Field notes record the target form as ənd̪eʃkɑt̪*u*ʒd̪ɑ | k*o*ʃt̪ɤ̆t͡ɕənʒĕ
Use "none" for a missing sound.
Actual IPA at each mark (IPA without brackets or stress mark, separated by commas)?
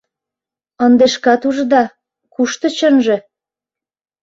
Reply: u, u